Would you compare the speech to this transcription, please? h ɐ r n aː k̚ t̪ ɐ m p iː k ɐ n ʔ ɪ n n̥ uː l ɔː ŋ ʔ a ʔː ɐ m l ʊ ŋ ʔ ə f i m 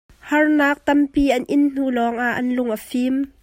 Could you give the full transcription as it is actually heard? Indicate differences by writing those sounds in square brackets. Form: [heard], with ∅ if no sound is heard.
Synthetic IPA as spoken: h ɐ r n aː k̚ t̪ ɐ m p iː [ʔ] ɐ n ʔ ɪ n n̥ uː l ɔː ŋ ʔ a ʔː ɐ [n] l ʊ ŋ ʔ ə f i m